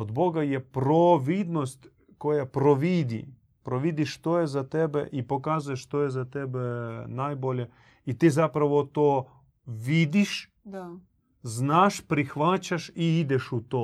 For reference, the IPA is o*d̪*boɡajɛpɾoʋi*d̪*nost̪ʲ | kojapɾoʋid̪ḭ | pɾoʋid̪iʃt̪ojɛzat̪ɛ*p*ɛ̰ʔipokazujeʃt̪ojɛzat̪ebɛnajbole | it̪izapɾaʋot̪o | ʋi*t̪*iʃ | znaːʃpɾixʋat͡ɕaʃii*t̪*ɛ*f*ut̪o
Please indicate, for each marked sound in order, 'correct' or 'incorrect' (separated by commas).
correct, correct, incorrect, incorrect, incorrect, incorrect